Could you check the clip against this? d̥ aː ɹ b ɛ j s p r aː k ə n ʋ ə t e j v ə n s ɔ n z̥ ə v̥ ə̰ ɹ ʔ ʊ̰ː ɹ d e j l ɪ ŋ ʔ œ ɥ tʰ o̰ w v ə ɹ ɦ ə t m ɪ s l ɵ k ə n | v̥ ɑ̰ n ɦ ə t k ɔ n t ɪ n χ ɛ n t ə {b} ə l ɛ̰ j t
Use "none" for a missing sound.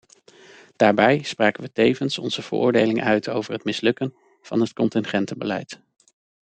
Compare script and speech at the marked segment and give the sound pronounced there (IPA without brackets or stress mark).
b